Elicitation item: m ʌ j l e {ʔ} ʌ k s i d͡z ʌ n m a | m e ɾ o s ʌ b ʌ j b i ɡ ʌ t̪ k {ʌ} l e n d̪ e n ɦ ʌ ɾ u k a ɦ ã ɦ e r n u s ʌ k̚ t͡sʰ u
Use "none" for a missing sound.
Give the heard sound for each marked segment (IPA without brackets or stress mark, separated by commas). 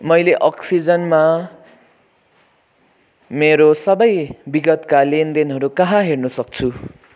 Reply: ʔ, a